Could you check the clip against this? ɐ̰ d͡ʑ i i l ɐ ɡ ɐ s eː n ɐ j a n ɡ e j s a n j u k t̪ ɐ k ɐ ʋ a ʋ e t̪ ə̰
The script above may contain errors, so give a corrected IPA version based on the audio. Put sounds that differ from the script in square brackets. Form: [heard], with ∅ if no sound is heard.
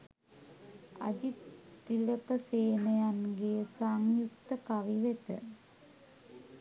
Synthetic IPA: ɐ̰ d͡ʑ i i l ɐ [k] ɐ s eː n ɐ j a n ɡ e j s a [ŋ] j u k t̪ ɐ k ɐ ʋ [i] ʋ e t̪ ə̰